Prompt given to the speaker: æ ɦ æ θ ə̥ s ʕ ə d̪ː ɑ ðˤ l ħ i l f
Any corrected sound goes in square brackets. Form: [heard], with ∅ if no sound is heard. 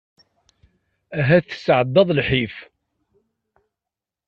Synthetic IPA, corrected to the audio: æ ɦ æ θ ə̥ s ʕ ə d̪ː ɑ ðˤ l ħ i [∅] f